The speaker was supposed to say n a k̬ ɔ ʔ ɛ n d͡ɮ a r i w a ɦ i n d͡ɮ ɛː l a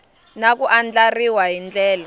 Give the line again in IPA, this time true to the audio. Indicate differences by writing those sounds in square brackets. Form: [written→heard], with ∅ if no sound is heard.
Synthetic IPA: n a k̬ [ɔ→u] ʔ [ɛ→a] n d͡ɮ a r i w a ɦ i n d͡ɮ ɛː l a